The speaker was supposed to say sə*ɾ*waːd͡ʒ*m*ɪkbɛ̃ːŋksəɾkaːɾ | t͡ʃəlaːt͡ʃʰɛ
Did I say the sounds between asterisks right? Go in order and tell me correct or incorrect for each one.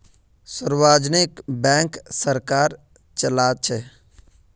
correct, incorrect

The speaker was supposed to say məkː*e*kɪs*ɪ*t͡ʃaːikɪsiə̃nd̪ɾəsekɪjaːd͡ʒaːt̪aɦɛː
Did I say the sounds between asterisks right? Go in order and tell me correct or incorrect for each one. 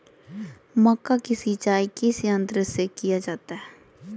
incorrect, incorrect

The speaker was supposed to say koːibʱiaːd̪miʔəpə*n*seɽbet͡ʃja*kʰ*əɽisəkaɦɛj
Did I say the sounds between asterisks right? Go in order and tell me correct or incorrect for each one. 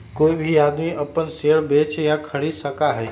correct, correct

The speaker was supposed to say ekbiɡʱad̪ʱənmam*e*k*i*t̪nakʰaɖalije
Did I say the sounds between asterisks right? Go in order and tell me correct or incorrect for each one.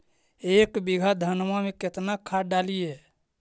correct, incorrect

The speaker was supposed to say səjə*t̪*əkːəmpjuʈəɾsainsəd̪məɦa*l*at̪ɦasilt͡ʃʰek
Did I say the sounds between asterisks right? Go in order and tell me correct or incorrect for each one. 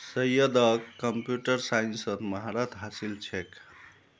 incorrect, incorrect

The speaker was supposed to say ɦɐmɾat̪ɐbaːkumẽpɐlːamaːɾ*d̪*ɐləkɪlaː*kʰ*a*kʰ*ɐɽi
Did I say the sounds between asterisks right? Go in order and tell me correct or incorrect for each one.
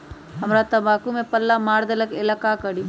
correct, incorrect, incorrect

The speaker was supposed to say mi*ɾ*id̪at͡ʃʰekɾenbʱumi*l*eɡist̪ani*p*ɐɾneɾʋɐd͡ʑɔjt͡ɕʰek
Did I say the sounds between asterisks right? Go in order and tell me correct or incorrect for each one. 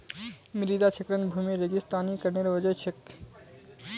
correct, incorrect, incorrect

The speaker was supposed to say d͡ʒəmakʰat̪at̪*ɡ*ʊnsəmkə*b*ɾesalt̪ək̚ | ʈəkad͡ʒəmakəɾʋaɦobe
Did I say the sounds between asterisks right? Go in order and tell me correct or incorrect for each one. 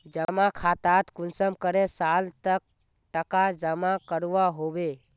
incorrect, incorrect

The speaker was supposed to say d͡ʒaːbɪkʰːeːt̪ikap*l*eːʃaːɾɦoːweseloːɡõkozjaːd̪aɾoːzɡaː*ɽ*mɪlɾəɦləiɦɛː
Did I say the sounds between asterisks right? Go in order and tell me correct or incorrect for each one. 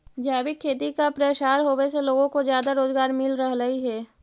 incorrect, incorrect

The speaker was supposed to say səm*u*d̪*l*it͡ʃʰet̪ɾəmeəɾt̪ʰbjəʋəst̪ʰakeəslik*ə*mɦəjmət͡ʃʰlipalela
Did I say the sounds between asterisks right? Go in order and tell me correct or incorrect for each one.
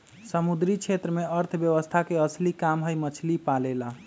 correct, incorrect, incorrect

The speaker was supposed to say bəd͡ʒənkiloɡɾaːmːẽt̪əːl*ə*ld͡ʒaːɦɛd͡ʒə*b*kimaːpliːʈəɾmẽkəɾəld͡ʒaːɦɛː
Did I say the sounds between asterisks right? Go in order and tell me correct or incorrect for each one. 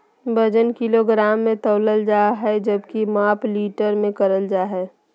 correct, correct

